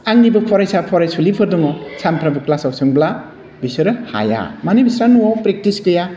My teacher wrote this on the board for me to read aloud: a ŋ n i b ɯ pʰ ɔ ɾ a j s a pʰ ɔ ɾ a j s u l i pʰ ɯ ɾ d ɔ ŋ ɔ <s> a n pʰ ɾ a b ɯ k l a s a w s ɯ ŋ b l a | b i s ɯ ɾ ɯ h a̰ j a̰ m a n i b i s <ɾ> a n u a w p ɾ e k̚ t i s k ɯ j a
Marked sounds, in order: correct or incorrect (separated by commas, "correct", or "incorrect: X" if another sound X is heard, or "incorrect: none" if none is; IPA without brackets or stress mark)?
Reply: correct, correct